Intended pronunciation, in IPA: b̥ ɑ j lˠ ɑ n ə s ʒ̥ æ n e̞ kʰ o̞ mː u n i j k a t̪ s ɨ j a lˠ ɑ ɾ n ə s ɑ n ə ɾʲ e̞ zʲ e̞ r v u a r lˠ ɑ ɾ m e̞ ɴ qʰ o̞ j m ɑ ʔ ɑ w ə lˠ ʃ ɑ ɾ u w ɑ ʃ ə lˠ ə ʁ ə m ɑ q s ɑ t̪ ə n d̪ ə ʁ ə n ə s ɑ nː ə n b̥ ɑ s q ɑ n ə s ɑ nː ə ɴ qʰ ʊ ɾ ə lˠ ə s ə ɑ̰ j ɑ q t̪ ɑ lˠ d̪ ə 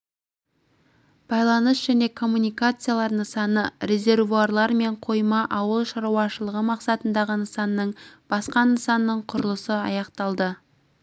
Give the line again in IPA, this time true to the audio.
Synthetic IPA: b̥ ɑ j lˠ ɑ n ə s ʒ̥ æ n e̞ kʰ o̞ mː u n i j k a t̪ s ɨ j a lˠ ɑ ɾ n ə s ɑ n ə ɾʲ e̞ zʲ e̞ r v u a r lˠ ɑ ɾ m e̞ ɴ qʰ o̞ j m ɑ ʔ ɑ w ə lˠ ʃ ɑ ɾ u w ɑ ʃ ə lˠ ə ʁ ə m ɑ q s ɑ t̪ ə n d̪ ɑ ʁ ə n ə s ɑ nː ə ɴ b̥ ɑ s q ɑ n ə s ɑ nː ə ɴ qʰ ʊ ɾ ə lˠ ə s ə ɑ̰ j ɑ q t̪ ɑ lˠ d̪ ə

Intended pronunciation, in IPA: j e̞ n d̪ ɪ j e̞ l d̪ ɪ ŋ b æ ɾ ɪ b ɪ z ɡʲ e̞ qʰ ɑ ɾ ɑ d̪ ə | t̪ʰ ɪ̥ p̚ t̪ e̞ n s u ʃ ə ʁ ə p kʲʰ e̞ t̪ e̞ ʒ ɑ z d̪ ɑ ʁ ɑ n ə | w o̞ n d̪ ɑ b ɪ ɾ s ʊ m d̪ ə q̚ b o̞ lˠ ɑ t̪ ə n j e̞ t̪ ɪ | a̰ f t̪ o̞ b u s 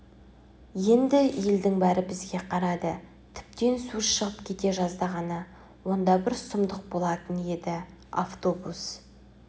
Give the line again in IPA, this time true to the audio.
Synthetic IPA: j e̞ n d̪ ɪ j e̞ l d̪ ɪ ŋ b æ ɾ ɪ b ɪ z ɡʲ e̞ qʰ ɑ ɾ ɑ d̪ ə | t̪ʰ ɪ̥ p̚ t̪ e̞ n s u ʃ ə ʁ ə p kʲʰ e̞ t̪ e̞ ʒ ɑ z d̪ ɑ ʁ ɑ n ə | w o̞ n d̪ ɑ b ɪ ɾ s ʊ m d̪ ə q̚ b o̞ lˠ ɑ t̪ ə n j e̞ d̪ ɪ | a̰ f t̪ o̞ b u s

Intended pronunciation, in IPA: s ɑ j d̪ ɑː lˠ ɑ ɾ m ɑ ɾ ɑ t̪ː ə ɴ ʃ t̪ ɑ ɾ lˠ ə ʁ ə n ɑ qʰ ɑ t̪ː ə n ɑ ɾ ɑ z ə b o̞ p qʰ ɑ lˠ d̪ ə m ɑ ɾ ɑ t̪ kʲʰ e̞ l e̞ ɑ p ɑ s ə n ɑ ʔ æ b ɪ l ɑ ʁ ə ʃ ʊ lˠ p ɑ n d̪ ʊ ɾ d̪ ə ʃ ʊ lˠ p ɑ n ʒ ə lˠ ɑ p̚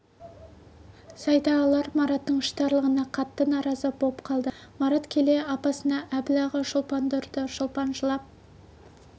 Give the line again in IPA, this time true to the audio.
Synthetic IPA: s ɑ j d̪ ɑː lˠ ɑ ɾ m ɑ ɾ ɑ t̪ː ə ɴ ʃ t̪ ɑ ɾ lˠ ə ʁ ə n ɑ qʰ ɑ t̪ː ə n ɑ ɾ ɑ z ə b o̞ p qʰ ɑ lˠ d̪ ə m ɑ ɾ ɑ t̪ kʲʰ e̞ l e̞ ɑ p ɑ s ə n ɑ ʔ æ b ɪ l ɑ ʁ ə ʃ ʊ lˠ p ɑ n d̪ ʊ ɾ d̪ ə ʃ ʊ lˠ p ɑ n ʒ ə lˠ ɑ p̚

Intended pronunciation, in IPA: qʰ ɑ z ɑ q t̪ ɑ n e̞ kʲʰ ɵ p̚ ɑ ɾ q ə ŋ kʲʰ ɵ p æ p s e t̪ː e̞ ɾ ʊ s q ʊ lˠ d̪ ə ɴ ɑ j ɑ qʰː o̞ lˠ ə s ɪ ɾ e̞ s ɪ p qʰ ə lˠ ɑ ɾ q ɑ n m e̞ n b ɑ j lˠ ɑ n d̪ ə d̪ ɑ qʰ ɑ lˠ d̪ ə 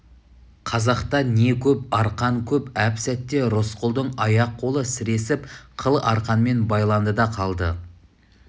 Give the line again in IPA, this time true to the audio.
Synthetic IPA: qʰ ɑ z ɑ q t̪ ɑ n e̞ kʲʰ ɵ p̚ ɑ ɾ q ɑ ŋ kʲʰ ɵ p æ p s æ t̪ː e̞ ɾ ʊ s q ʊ lˠ d̪ ə ɴ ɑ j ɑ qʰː o̞ lˠ ə s ɪ ɾ e̞ s ɪ p qʰ ə lˠ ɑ ɾ q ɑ n m e̞ n b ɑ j lˠ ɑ n d̪ ə d̪ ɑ qʰ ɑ lˠ d̪ ə

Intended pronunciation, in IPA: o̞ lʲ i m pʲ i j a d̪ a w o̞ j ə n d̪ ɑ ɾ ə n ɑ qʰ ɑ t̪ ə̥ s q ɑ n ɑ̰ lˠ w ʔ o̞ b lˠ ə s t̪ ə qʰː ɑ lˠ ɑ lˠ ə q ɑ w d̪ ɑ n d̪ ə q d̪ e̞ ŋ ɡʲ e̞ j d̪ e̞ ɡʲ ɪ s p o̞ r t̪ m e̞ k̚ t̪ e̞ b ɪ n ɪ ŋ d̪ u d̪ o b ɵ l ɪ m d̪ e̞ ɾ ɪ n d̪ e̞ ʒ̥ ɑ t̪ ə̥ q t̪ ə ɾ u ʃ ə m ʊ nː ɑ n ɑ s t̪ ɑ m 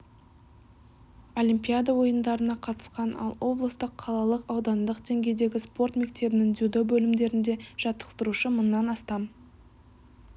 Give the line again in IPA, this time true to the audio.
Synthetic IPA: o̞ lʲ i m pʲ i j a d̪ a w o̞ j ə n d̪ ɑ ɾ ə n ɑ qʰ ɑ t̪ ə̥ s q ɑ n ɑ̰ lˠ w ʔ o̞ b lˠ ə s t̪ ə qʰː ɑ lˠ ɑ lˠ ə q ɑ w d̪ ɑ n d̪ ə q d̪ e̞ ŋ ɡʲ e̞ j d̪ e̞ ɡʲ ɪ s p o̞ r t̪ m e̞ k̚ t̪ e̞ b ɪ n ɪ ŋ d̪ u d̪ o b ɵ l ɪ m d̪ e̞ ɾ ɪ n d̪ e̞ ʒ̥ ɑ t̪ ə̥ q t̪ ə ɾ u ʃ ə m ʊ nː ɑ n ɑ s t̪ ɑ m

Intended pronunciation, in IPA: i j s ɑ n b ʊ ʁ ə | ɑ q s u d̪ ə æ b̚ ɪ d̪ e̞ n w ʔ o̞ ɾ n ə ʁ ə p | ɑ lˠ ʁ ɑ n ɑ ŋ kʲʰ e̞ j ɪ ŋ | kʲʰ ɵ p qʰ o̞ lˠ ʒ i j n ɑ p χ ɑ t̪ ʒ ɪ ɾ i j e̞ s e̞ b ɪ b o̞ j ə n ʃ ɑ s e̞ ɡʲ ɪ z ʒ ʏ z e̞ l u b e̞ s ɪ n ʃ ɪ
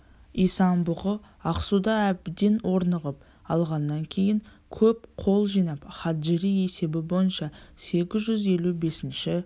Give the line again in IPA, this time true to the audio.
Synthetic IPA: i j s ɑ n b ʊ ʁ ə | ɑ q s u d̪ ɑ æ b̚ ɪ d̪ e̞ n w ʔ o̞ ɾ n ə ʁ ə p | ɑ lˠ ʁ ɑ nː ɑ ŋ kʲʰ e̞ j ɪ ŋ | kʲʰ ɵ p qʰ o̞ lˠ ʒ i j n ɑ p χ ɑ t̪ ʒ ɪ ɾ i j e̞ s e̞ b ɪ b o̞ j ə n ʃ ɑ s e̞ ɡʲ ɪ z ʒ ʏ z e̞ l u b e̞ s ɪ n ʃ ɪ

